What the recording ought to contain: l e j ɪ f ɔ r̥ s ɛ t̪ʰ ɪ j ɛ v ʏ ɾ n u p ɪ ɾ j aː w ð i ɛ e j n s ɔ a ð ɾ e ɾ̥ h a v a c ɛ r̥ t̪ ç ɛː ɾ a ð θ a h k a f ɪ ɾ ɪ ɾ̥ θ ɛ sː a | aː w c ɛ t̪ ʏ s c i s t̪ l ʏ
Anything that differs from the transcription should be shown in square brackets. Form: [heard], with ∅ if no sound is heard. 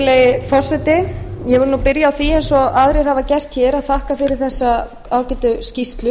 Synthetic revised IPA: l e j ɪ f ɔ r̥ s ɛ [t̪] ɪ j ɛ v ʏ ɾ n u p ɪ ɾ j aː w [θ] i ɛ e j n s ɔ a ð ɾ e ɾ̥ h a v a c ɛ r̥ t̪ ç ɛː ɾ a ð θ a h k a f ɪ ɾ ɪ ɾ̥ θ ɛ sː a | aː w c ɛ t̪ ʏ s c i s t̪ l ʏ